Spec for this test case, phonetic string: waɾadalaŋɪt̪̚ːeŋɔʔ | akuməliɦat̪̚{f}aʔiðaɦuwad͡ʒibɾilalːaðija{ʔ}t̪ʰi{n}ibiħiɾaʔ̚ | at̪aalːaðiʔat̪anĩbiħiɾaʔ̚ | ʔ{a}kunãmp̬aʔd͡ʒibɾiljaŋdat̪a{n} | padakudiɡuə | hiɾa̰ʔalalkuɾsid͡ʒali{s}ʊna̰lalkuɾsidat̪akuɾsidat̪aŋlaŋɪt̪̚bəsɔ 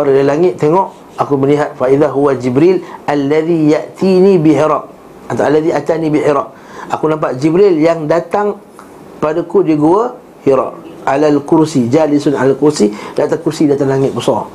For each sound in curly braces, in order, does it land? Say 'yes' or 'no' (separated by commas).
yes, yes, yes, yes, no, yes